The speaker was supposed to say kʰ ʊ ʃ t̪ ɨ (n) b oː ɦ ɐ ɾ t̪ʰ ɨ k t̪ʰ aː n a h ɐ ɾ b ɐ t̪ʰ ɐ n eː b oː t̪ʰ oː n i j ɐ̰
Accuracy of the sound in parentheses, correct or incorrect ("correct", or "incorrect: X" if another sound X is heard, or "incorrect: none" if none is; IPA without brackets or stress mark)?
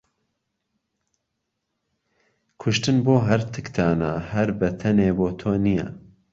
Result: correct